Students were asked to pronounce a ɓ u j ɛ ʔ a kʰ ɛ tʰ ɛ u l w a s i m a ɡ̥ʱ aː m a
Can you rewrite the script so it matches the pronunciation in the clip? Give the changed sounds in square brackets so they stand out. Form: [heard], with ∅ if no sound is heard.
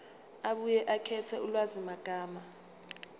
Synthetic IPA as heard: a ɓ u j ɛ ʔ a kʰ ɛ tʰ ɛ u l w a [z] i m a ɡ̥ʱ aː m a